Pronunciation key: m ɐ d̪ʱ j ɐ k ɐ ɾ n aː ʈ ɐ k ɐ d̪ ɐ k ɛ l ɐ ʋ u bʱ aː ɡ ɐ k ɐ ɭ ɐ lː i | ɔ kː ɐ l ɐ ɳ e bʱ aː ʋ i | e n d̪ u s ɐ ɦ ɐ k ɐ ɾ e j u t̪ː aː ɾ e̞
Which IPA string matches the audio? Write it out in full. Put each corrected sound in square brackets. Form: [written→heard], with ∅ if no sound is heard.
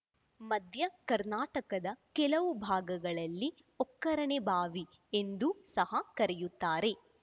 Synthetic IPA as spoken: m ɐ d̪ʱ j ɐ k ɐ ɾ n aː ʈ ɐ k ɐ d̪ ɐ k ɛ l ɐ ʋ u bʱ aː ɡ ɐ [k→ɡ] ɐ ɭ ɐ lː i | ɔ kː ɐ [l→ɾ] ɐ ɳ e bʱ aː ʋ i | e n d̪ u s ɐ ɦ ɐ k ɐ ɾ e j u t̪ː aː ɾ e̞